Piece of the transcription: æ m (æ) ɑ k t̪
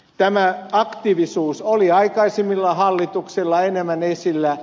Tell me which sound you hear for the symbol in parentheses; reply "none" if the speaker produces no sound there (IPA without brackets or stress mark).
æ